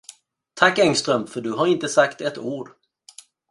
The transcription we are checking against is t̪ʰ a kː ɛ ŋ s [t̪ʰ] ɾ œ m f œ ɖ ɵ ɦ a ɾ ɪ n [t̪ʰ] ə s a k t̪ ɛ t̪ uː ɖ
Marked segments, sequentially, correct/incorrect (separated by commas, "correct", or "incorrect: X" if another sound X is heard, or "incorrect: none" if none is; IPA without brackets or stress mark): incorrect: t̪, incorrect: t̪